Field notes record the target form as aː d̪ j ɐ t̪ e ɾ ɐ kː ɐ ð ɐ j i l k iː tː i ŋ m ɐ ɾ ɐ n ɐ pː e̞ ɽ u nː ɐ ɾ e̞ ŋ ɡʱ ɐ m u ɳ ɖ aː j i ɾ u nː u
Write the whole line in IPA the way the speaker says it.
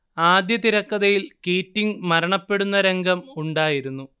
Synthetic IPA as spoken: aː d̪ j ɐ t̪ i ɾ ɐ kː ɐ ð ɐ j i l k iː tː i ŋ m ɐ ɾ ɐ ɳ ɐ pː e̞ ɽ u nː ɐ ɾ e̞ ŋ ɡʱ ɐ m u ɳ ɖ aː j i ɾ u nː u